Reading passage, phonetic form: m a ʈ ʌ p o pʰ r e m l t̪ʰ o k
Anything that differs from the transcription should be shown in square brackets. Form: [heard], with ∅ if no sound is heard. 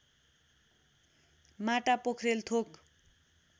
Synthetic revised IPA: m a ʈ [a] p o [kʰ] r e [∅] l t̪ʰ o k